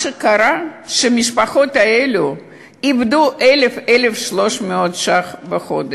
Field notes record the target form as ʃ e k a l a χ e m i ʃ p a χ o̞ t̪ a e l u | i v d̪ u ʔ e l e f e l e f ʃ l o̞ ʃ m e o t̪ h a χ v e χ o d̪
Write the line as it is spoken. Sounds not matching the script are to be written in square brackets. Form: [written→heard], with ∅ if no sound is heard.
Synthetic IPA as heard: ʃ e k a [l→ɾ] a [χ→ʃ] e m i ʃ p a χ o̞ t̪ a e l u | i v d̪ u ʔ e l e f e l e f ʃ l o̞ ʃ m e o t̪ [h→ʃ] a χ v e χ o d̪

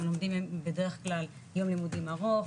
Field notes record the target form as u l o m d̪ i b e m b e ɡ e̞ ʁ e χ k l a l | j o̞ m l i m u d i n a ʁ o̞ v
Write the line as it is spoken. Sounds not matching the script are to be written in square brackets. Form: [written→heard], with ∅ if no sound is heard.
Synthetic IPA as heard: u l o m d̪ i [b→m] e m b e [ɡ→d] e̞ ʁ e χ k l a l | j o̞ m l i m u d i [n→m] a ʁ o̞ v

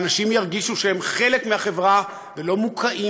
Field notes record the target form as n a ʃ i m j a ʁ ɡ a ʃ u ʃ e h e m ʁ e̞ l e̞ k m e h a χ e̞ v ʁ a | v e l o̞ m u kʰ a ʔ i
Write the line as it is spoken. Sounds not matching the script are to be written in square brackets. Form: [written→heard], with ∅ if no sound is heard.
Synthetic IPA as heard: n a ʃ i m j a ʁ ɡ [a→i] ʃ u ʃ e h e m [ʁ→χ] e̞ l e̞ k m e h a χ e̞ v ʁ a | v e l o̞ m u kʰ a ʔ i

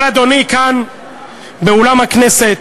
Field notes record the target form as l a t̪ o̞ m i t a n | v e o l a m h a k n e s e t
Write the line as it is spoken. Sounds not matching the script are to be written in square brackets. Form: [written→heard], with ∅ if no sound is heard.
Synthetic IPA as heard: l a [t̪→d̪] o̞ [m→n] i [t→k] a n | [v→b] e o l a m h a k n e s e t

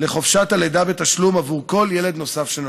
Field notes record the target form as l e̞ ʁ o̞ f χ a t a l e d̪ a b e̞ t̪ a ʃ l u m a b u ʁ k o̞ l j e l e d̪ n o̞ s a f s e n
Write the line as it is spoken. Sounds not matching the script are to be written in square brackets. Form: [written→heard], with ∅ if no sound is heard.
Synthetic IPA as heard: l e̞ [ʁ→χ] o̞ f [χ→ʃ] a t a l e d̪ a b e̞ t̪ a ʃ l u m a [b→v] u ʁ k o̞ l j e l e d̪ n o̞ s a f [s→ʃ] e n

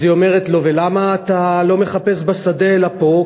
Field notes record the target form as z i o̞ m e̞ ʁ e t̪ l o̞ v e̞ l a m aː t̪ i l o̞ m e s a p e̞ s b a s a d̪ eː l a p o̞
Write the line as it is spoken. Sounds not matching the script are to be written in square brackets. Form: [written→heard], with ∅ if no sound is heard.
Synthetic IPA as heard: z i o̞ m e̞ ʁ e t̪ l o̞ v e̞ l a m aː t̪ [i→a] l o̞ m e [s→χ] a p e̞ s b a s a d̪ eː l a p o̞

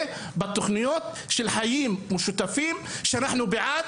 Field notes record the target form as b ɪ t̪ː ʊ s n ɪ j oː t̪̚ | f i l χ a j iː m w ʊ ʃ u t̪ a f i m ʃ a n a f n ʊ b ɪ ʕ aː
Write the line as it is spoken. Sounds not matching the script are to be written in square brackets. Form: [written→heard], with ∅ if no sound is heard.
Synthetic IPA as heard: b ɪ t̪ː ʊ [s→x] n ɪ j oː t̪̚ | [f→ʃ] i l [χ→ħ] a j iː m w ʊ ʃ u t̪ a f [i→iː] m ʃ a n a [f→ħ] n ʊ b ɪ ʕ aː

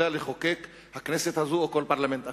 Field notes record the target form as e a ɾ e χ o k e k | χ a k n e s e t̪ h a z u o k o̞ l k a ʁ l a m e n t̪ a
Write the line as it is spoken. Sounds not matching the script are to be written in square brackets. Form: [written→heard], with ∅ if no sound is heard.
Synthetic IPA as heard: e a [ɾ→l] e χ o k e k | [χ→h] a k n e s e t̪ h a z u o k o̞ l [k→p] a ʁ l a m e n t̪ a

